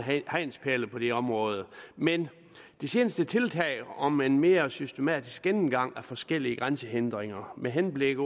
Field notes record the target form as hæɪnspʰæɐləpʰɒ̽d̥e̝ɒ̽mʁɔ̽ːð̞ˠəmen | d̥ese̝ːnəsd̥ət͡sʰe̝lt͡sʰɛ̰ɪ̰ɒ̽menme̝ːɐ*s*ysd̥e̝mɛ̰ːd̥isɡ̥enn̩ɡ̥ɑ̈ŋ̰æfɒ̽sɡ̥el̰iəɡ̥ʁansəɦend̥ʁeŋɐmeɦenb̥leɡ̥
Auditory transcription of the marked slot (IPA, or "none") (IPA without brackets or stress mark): s